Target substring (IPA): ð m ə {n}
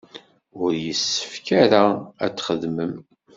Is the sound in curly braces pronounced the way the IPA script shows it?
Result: no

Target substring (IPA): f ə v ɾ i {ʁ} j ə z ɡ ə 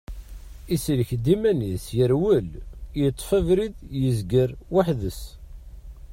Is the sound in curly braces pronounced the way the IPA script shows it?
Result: no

